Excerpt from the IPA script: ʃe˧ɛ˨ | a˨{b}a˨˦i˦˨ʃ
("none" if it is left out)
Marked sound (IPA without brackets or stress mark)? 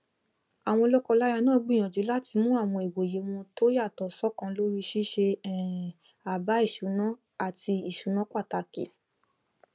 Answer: b